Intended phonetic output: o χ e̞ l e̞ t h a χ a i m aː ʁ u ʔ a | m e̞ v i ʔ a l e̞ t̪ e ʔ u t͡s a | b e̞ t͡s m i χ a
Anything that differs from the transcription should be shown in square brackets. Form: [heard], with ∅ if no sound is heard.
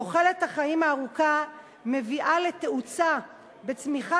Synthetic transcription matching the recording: o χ e̞ l e̞ t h a χ a i m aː ʁ u [k] a | m e̞ v i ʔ a l e̞ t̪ e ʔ u t͡s a | b e̞ t͡s m i χ a